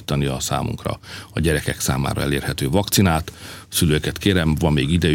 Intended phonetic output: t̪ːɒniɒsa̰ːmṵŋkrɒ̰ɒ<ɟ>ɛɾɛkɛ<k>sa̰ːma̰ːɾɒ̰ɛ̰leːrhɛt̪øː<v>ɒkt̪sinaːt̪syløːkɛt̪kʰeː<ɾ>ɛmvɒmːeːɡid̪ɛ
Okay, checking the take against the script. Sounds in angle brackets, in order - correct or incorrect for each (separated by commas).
correct, correct, correct, correct